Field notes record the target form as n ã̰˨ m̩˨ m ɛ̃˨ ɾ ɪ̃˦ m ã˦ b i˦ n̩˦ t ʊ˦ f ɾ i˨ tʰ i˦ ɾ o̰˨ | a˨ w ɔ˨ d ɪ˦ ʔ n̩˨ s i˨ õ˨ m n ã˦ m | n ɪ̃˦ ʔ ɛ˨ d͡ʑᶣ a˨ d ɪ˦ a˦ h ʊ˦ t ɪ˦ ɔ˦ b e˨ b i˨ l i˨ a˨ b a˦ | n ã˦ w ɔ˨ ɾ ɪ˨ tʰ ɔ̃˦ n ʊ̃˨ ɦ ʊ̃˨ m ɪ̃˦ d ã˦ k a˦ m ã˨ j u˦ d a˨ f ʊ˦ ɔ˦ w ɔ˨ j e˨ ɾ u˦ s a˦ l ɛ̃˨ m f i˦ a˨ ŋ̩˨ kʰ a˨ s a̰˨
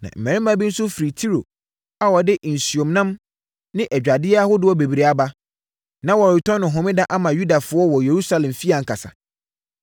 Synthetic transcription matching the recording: n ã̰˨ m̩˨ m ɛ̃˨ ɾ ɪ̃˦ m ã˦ b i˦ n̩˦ s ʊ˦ f ɾ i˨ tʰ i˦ ɾ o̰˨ | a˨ w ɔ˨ d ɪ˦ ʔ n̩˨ s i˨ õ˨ m n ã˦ m | n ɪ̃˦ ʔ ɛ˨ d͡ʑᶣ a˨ d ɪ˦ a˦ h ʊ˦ d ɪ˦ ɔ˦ b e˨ b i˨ ɾ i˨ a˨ b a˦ | n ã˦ w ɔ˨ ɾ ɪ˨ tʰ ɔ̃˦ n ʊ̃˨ ɦ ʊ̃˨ m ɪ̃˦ d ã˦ ʔ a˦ m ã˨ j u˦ d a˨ f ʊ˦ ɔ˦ w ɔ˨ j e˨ ɾ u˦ s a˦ l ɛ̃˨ m f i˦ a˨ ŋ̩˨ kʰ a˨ s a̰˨